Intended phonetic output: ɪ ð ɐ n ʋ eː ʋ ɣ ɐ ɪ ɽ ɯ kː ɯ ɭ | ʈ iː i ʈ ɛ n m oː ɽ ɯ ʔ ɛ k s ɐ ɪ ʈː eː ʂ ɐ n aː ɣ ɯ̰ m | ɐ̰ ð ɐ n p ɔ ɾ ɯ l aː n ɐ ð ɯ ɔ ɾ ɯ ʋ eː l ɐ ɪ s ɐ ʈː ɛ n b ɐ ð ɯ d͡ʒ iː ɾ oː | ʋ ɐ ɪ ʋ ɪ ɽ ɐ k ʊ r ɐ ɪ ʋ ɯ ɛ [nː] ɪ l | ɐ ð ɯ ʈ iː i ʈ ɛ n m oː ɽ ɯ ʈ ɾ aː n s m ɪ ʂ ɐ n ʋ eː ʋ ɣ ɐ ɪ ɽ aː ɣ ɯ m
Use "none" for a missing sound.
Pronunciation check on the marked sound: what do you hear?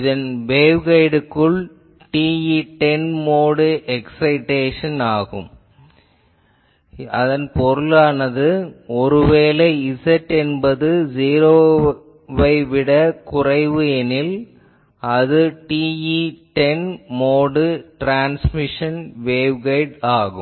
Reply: n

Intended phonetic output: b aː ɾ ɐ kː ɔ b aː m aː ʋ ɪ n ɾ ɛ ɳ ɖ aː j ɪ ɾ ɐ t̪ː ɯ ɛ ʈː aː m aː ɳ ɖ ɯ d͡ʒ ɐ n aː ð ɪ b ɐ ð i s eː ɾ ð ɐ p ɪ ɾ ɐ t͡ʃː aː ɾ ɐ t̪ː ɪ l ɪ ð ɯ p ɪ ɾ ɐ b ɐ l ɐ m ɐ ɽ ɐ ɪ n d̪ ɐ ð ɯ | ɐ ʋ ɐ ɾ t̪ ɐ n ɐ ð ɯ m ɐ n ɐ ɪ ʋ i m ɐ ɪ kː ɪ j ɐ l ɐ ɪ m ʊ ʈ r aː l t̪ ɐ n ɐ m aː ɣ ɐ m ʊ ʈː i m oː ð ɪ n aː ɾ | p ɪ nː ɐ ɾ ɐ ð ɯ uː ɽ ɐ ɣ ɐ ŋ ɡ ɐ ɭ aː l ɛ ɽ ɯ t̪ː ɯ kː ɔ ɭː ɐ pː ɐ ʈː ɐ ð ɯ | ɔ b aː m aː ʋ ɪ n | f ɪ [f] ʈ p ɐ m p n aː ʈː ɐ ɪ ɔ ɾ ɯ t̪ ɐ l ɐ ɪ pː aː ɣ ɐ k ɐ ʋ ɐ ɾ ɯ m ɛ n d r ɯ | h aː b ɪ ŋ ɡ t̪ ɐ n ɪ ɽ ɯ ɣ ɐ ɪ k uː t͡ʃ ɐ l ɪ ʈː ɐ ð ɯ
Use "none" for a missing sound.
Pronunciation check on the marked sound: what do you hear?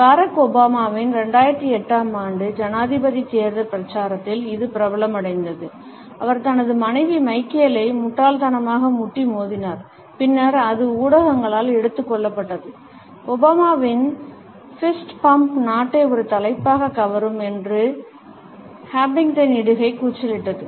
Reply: s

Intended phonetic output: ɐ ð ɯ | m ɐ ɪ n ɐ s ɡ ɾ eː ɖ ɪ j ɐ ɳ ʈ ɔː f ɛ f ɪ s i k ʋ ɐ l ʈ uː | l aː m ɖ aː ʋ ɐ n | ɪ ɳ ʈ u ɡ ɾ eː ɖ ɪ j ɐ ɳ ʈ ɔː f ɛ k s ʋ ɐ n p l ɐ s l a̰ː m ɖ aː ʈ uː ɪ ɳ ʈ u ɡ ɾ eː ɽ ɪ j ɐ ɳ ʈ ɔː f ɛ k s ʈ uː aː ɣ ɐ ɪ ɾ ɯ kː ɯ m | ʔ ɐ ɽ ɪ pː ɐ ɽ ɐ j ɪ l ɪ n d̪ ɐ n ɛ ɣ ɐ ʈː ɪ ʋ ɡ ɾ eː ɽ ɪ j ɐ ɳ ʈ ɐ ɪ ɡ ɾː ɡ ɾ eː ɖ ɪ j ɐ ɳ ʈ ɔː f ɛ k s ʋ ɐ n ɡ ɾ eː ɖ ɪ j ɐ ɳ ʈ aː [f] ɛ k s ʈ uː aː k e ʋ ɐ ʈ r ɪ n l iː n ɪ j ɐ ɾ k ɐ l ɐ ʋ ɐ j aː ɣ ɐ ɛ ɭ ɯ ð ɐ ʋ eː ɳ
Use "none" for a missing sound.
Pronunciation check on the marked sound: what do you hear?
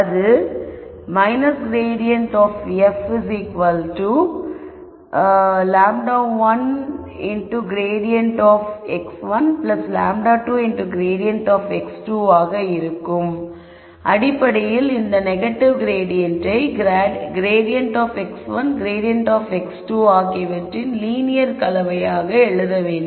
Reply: f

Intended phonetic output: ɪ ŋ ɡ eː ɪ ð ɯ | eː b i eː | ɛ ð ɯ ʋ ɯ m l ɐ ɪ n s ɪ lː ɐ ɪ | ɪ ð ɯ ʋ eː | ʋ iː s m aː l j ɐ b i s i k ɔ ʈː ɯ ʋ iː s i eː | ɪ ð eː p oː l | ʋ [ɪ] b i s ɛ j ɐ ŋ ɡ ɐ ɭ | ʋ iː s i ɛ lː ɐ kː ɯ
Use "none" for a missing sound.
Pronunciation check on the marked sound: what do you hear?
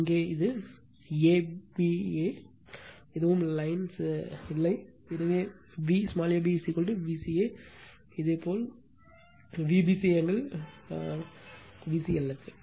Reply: i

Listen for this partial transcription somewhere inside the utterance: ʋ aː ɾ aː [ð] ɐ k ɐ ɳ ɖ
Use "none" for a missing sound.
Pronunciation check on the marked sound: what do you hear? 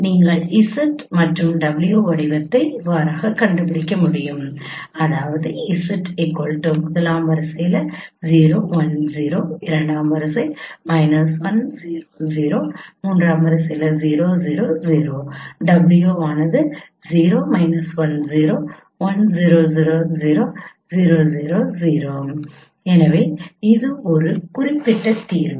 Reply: ɣ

